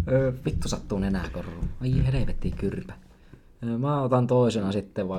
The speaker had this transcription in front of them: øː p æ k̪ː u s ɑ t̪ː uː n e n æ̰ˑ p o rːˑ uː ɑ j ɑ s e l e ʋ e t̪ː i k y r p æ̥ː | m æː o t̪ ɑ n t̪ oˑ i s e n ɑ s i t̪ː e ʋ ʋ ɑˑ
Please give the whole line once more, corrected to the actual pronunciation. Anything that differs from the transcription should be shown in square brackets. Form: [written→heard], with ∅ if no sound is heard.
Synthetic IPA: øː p [æ→i] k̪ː u s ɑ t̪ː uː n e n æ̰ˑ [p→k] o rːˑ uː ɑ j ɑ [s→h] e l e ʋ e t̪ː i k y r p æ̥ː | m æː o t̪ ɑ n t̪ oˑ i s e n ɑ s i t̪ː e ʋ ʋ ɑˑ